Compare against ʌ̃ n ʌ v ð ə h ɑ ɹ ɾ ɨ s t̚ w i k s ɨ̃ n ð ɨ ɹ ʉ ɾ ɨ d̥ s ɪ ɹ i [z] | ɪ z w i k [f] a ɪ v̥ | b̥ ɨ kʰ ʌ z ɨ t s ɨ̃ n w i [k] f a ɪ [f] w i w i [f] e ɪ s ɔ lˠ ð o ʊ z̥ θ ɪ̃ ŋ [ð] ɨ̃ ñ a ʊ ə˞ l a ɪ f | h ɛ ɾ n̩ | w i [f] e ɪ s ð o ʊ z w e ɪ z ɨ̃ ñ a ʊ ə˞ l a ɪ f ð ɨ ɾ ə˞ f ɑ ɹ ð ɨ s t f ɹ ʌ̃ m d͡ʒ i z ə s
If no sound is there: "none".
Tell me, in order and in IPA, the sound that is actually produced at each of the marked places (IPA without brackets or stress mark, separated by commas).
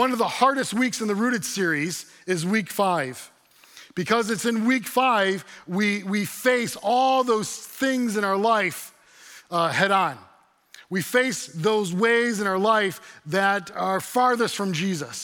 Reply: z, f, k, v, f, z, f